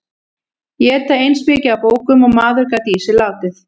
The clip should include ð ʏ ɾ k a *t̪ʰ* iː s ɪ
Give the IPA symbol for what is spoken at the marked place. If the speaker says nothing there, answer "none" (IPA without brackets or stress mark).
t̪